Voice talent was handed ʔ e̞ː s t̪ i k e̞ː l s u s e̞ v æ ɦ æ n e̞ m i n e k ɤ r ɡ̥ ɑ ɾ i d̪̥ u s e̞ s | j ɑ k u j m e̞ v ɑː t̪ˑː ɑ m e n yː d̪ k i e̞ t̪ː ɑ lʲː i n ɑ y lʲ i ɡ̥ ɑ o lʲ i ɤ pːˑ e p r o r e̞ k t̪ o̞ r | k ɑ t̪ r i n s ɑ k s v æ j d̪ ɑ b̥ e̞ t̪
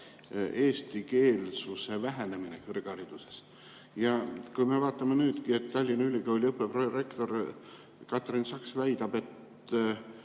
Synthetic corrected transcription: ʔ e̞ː s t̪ i k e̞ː l s u s e̞ v æ ɦ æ n e̞ m i n e k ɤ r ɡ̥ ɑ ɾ i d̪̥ u s e̞ s | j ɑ k u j m e̞ v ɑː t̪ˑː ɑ m e n yː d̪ k i e̞ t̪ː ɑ lʲː i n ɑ y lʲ i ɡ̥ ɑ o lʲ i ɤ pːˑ e p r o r e̞ k t̪ o̞ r | k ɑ t̪ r i n s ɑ k s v æ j d̪ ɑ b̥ e̞ t̪